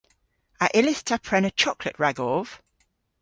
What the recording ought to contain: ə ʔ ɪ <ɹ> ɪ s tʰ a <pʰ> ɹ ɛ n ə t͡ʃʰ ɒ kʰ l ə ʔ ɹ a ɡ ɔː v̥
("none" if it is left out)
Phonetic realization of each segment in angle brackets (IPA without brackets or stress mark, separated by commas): l, pʰ